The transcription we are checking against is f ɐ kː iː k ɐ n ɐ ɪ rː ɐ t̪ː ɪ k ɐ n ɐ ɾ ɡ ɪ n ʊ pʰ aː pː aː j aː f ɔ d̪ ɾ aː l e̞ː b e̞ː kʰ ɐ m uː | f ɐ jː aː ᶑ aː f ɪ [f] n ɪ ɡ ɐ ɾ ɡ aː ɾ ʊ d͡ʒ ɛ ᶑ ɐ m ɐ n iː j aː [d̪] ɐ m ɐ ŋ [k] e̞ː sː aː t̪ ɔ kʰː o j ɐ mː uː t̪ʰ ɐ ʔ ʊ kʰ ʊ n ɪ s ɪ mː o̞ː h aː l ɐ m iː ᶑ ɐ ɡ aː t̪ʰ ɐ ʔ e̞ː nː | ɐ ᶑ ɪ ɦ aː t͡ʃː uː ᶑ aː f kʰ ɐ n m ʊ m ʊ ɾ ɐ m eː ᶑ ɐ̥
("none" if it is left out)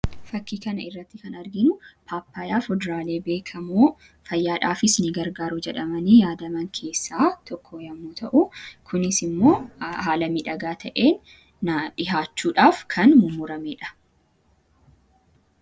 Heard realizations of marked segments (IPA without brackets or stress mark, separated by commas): s, d̪, kʰ